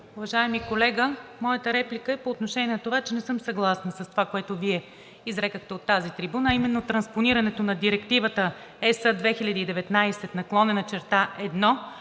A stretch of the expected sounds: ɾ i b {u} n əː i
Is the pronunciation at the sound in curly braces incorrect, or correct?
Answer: correct